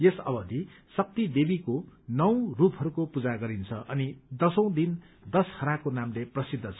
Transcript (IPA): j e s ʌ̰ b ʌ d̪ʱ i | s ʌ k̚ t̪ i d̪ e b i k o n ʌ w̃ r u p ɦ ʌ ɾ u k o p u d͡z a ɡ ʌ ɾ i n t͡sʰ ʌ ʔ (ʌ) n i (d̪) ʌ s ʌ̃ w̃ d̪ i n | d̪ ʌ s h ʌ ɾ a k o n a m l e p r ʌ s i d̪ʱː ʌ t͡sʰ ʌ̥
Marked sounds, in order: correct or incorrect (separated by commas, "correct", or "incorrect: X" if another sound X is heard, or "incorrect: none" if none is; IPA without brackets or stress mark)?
correct, correct